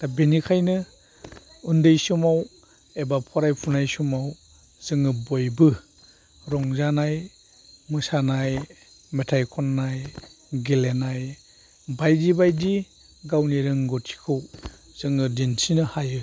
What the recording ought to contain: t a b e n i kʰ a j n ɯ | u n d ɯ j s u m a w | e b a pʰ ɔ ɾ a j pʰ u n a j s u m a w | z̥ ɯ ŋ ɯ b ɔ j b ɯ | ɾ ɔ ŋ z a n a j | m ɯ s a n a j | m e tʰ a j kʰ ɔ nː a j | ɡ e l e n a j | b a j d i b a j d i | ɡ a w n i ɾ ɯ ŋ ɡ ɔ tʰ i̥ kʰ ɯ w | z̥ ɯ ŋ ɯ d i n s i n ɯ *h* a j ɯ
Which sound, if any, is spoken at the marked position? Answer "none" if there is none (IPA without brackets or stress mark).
h